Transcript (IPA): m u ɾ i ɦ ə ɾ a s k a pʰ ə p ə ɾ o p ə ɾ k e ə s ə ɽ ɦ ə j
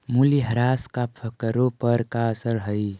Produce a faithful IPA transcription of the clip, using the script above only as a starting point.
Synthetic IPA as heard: m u l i ɦ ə ɾ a s k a pʰ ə k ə ɾ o p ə ɾ k a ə s ə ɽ ɦ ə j

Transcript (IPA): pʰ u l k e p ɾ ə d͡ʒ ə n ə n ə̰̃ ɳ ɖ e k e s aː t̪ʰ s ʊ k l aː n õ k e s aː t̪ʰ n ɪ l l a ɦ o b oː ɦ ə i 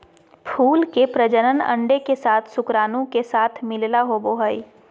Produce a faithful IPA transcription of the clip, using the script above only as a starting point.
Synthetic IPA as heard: pʰ uː l k e p ɾ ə d͡ʒ ə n ə n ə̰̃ ɳ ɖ e k e s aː t̪ʰ s ʊ k ɾ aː n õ k e s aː t̪ʰ m ɪ l l a ɦ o b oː ɦ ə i

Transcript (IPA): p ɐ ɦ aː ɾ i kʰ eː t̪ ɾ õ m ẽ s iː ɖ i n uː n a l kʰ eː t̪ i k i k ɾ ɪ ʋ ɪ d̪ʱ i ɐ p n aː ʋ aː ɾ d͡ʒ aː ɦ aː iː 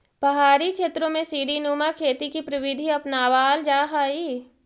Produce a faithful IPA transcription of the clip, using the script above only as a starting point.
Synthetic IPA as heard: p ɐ ɦ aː ɾ i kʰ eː t̪ ɾ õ m ẽ s iː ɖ i n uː m a kʰ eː t̪ i k i p ɾ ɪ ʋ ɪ d̪ʱ i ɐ p n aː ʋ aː l d͡ʒ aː ɦ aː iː

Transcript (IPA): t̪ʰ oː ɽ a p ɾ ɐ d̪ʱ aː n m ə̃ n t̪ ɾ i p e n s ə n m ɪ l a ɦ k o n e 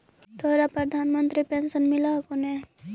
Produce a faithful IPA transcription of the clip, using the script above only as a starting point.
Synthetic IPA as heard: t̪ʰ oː ɾ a p ɾ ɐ d̪ʱ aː n m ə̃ n t̪ ɾ i p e n s ə n m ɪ l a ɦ k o n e

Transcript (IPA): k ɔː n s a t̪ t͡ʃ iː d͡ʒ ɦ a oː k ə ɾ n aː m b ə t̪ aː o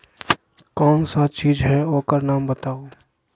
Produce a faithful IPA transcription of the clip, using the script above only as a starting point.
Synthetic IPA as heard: k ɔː n s a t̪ t͡ʃ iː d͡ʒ ɦ ɛ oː k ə ɾ n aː m b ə t̪ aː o

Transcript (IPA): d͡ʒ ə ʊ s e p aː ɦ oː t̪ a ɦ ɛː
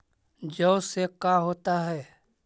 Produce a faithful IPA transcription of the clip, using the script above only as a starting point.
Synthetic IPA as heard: d͡ʒ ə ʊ s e k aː ɦ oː t̪ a ɦ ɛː

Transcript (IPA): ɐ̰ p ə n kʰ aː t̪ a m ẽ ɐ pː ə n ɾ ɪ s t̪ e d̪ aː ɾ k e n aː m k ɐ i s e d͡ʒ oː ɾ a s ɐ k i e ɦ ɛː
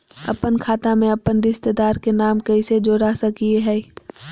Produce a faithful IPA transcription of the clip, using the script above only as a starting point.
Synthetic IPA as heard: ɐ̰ p ə n kʰ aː t̪ a m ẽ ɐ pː ə n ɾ ɪ s t̪ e d̪ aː ɾ k e n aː m k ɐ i s e d͡ʒ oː ɾ a s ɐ k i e ɦ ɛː

